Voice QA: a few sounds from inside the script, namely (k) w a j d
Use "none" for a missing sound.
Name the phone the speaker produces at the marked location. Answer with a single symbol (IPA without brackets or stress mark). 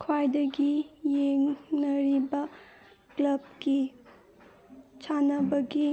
kʰ